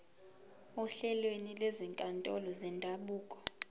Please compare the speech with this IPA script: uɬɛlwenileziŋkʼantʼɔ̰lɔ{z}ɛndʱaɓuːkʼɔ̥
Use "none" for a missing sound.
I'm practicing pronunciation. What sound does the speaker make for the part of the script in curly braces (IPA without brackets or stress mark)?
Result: z